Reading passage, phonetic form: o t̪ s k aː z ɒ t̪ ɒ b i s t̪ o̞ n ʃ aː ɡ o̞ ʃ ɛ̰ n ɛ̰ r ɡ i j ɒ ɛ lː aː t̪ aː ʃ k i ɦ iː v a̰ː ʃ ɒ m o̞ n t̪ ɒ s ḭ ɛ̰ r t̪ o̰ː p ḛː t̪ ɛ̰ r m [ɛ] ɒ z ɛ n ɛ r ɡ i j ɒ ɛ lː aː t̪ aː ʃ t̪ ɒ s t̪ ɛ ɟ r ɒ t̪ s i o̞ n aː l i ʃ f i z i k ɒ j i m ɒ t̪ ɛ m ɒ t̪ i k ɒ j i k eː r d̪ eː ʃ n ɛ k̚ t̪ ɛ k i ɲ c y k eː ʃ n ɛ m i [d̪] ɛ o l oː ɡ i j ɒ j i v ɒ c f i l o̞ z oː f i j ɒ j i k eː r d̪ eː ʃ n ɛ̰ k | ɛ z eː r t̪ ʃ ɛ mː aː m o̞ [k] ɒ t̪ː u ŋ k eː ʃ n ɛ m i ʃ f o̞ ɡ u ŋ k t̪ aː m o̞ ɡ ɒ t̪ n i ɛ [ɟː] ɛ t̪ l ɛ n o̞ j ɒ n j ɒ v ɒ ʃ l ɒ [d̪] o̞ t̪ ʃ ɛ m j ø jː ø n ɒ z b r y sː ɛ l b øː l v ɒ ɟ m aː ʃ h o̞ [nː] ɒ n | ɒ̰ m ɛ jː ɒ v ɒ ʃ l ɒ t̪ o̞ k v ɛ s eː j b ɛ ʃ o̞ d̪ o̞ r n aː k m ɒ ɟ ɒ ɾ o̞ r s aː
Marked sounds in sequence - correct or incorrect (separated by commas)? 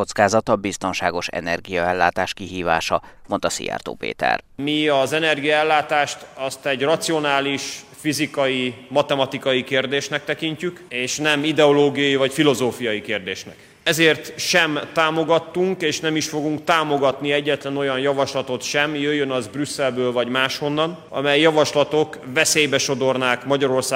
incorrect, correct, incorrect, correct, incorrect, correct